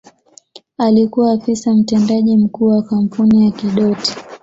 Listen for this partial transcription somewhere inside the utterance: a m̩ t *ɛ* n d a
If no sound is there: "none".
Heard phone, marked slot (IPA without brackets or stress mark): ɛ